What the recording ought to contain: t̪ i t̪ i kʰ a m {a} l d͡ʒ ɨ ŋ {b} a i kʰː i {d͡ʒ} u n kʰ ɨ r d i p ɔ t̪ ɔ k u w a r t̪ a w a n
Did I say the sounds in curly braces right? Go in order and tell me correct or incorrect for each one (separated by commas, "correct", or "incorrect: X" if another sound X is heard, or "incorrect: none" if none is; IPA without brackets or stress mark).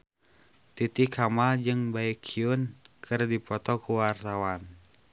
correct, correct, incorrect: none